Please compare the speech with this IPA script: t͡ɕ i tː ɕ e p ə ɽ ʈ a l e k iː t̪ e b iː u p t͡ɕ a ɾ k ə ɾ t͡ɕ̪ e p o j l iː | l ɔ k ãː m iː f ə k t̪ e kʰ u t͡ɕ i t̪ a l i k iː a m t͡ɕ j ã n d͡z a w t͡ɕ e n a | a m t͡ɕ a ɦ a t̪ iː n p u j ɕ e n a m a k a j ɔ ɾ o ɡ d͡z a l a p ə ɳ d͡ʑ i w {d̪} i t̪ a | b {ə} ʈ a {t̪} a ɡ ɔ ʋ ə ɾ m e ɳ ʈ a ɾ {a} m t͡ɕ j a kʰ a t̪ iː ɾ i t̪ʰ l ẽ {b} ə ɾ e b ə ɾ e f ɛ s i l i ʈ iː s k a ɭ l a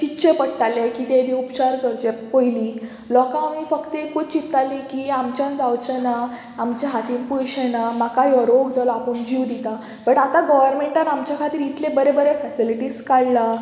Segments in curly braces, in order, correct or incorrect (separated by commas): correct, correct, correct, correct, correct